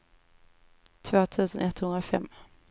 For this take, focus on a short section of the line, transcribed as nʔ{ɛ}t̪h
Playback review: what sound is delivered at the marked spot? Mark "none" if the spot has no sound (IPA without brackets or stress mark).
ɛ